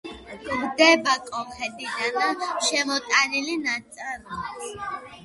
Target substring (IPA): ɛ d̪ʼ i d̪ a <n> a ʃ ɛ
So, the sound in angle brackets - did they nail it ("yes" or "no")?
yes